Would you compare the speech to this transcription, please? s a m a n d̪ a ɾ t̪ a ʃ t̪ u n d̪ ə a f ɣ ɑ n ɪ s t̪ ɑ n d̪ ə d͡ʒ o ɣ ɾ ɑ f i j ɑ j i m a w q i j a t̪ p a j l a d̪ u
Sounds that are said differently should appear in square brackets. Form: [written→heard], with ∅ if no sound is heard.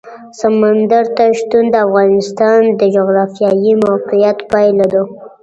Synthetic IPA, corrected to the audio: s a m a n d̪ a ɾ t̪ a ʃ t̪ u n d̪ ə a f ɣ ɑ n ɪ s t̪ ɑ n d̪ ə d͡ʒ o ɣ ɾ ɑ f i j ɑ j i m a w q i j a t̪ p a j l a d̪ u